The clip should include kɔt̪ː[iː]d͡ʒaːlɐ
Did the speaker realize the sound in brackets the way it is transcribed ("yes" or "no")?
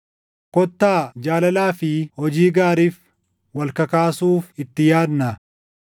no